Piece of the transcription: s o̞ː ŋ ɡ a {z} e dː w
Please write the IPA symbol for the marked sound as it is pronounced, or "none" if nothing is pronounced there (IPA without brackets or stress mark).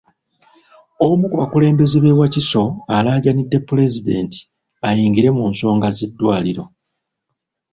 z